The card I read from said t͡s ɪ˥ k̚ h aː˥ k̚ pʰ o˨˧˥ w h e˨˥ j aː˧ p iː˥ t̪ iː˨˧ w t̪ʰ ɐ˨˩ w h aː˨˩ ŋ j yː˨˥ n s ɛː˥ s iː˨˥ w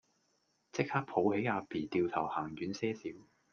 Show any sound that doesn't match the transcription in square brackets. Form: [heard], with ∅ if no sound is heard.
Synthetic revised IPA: t͡s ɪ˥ k̚ h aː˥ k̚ pʰ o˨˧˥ w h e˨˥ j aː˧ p [iː˨˩] t̪ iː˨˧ w t̪ʰ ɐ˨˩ w h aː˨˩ ŋ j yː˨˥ n s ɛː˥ s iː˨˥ w